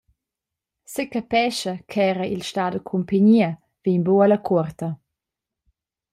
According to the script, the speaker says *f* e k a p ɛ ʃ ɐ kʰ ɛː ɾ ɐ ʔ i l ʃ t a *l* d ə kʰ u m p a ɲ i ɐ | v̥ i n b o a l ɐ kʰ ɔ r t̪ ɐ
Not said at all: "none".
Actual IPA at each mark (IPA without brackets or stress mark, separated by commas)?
s, none